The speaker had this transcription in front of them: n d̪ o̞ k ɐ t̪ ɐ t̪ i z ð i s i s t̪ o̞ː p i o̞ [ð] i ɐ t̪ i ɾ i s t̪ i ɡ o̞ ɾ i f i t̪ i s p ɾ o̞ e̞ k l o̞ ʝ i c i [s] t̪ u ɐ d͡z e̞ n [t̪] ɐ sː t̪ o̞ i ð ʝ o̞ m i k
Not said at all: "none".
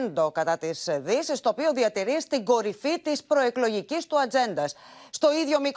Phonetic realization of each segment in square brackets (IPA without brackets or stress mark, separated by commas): ð, s, d̪